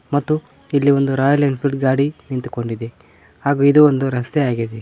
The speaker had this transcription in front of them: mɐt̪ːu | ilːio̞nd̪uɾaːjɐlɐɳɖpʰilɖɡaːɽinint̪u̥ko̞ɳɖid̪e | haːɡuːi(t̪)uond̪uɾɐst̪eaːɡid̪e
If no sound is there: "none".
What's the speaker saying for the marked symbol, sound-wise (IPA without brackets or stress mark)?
d̪